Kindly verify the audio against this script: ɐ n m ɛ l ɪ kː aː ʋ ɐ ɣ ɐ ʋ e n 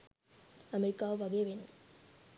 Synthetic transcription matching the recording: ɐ m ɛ ɾ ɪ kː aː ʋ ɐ ɣ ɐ ʋ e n

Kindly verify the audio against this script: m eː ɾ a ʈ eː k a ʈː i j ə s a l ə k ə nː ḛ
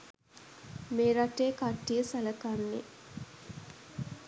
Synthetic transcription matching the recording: m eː ɾ a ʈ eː k a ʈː i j ə s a l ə k a nː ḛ

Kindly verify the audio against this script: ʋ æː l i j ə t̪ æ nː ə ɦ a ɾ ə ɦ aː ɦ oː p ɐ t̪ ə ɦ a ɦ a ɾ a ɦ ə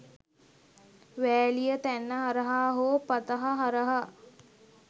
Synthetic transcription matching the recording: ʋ æː l i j ə t̪ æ nː ə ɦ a ɾ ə ɦ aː ɦ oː p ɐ t̪ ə ɦ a ɦ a ɾ ə ɦ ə

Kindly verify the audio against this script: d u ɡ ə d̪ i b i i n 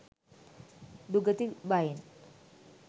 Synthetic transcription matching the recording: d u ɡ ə t̪ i b a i n

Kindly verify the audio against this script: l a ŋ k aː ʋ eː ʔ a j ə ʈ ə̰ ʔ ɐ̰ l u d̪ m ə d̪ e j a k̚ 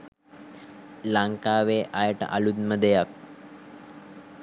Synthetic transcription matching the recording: l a ŋ k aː ʋ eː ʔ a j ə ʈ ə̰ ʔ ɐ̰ l u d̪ m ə d̪ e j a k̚

